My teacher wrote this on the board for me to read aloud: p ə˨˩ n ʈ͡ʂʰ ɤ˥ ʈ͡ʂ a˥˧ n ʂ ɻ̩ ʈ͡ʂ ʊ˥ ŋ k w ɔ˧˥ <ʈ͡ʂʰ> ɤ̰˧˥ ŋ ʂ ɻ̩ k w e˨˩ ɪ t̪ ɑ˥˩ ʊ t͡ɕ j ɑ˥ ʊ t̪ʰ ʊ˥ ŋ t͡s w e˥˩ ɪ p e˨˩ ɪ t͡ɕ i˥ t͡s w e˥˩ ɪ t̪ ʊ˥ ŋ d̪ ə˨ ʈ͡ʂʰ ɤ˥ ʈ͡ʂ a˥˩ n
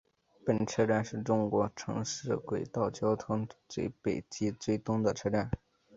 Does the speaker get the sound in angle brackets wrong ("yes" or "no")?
no